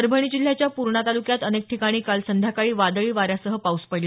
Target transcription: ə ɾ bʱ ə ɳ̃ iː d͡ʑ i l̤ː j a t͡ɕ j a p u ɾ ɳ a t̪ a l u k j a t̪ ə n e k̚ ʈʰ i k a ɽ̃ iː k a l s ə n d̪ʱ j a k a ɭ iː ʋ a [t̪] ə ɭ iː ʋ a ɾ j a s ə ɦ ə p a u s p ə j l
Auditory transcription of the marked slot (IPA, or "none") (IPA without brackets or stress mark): d̪